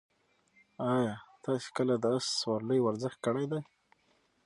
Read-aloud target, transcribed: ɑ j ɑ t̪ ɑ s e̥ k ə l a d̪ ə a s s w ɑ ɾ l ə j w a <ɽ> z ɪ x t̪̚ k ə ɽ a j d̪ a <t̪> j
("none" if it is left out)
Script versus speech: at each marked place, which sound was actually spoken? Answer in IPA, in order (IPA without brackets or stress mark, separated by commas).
ɾ, none